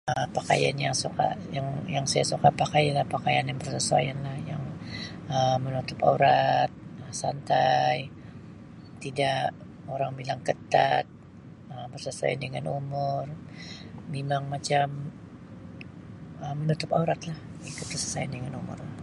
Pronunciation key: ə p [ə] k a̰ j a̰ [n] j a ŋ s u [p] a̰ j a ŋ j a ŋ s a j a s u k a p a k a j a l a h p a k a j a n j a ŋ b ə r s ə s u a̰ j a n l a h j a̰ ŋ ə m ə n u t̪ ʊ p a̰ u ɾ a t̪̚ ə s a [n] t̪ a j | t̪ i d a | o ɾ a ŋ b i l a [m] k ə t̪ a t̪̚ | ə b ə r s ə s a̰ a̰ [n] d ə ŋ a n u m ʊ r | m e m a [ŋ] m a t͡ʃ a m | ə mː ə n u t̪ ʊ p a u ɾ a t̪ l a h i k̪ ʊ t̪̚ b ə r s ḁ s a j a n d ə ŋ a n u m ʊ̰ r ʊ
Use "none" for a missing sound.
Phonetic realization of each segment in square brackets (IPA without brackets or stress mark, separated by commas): a, n, k, n, ŋ, n, ŋ